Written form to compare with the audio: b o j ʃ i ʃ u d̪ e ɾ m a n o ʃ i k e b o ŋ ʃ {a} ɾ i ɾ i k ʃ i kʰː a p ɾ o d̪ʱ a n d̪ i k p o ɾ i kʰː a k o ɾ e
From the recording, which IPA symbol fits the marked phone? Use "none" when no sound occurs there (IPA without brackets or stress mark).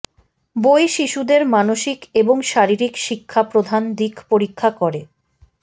a